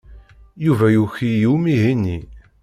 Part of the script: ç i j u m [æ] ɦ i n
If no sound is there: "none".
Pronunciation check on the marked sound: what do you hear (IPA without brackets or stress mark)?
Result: i